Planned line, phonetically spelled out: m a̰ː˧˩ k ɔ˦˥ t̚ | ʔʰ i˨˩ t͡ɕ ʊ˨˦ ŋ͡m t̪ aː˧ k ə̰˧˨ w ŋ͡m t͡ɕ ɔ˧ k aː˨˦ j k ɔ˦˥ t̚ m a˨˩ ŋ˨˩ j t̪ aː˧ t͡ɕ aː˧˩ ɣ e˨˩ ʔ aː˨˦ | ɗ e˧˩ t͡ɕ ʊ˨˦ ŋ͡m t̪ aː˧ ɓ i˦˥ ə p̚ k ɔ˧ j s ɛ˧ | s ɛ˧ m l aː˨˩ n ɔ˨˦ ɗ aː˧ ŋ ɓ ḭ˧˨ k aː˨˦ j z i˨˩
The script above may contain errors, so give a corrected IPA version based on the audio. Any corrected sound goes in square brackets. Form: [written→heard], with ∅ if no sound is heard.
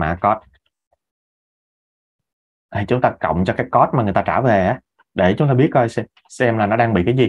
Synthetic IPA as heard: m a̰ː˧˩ k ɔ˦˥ t̚ | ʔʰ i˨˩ t͡ɕ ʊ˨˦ ŋ͡m t̪ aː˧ k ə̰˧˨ w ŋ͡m t͡ɕ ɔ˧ k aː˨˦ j k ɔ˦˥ t̚ m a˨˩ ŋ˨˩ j t̪ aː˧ t͡ɕ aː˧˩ [ɣ→v] e˨˩ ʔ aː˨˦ | ɗ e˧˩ t͡ɕ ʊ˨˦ ŋ͡m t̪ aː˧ ɓ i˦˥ ə [p̚→t̚] k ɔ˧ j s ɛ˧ | s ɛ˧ m l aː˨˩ n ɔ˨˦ ɗ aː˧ ŋ ɓ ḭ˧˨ k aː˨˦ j z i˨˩